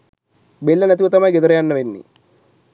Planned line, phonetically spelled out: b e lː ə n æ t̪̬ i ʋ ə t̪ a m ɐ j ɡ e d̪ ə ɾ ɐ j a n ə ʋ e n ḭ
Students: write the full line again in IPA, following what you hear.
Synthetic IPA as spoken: b e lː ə n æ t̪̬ i ʋ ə t̪ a m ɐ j ɡ e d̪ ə ɾ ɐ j a nː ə ʋ e nː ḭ